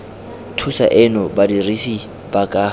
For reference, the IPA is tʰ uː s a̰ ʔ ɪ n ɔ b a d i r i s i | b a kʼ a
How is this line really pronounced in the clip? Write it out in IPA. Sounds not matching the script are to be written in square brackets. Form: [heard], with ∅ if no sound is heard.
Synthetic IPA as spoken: tʰ [u] s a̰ ʔ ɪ n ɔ b a d i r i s i | b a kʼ a